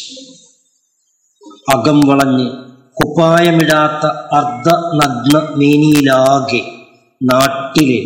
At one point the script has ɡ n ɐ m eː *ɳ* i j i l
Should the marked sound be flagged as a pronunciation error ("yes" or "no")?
yes